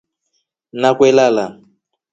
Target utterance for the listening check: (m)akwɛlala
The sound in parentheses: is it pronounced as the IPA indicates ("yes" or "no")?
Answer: no